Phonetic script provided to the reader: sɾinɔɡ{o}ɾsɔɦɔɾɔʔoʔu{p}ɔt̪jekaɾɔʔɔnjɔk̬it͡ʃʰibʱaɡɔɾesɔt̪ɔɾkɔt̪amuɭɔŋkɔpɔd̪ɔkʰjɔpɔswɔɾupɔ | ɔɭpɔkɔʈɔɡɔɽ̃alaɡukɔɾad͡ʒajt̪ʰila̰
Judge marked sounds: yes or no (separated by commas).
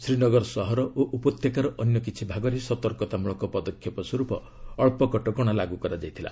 no, yes